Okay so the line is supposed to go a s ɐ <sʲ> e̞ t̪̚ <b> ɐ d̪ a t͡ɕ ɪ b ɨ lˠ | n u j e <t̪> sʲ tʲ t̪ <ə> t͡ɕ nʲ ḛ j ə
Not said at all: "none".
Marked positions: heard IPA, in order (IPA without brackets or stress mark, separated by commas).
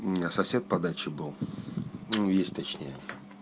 sʲ, p, none, ɐ